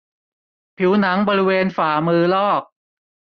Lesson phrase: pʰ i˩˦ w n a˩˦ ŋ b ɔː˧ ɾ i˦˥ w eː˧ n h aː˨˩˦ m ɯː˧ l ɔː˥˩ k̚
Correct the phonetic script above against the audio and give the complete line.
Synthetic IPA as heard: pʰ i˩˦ w n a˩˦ ŋ b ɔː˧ ɾ i˦˥ w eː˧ n f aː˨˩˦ m ɯː˧ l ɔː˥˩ k̚